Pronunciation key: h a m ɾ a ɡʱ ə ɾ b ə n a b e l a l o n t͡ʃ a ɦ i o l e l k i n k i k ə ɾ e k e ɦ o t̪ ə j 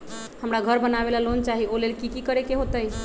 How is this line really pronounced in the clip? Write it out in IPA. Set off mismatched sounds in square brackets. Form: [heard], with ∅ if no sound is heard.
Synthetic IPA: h [ə] m ɾ a ɡʱ ə ɾ b ə n a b e l a l o n t͡ʃ a ɦ i o l e l k i [∅] k i k ə ɾ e k e ɦ o t̪ ə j